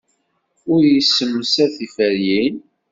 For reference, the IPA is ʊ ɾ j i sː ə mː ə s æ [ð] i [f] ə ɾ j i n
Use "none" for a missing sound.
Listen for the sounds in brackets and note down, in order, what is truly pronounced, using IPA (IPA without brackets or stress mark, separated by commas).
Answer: θ, f